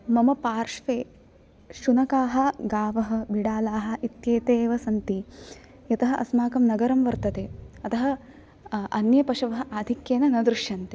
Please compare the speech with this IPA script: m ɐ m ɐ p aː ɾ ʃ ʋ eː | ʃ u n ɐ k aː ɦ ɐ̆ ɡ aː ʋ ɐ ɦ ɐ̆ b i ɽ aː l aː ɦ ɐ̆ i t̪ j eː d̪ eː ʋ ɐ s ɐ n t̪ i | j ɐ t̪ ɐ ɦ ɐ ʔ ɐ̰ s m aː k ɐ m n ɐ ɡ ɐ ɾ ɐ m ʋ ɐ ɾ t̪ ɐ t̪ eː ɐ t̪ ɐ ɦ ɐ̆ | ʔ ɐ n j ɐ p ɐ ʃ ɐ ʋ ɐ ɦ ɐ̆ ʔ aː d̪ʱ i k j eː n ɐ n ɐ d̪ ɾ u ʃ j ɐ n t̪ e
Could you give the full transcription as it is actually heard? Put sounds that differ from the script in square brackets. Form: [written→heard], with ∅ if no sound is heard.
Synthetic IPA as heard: m ɐ m ɐ p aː ɾ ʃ ʋ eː | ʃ u n ɐ k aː ɦ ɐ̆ ɡ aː ʋ ɐ ɦ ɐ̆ b i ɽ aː l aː ɦ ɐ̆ i t̪ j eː [d̪→t̪] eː ʋ ɐ s ɐ n t̪ i | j ɐ t̪ ɐ ɦ ɐ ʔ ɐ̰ s m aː k ɐ m n ɐ ɡ ɐ ɾ ɐ m ʋ ɐ ɾ t̪ ɐ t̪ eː ɐ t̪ ɐ ɦ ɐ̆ | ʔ ɐ n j ɐ p ɐ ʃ ɐ ʋ ɐ ɦ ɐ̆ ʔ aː d̪ʱ i k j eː n ɐ n ɐ d̪ ɾ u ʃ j ɐ n t̪ e